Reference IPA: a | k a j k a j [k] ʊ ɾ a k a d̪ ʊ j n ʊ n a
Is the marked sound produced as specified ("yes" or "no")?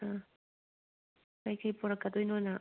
no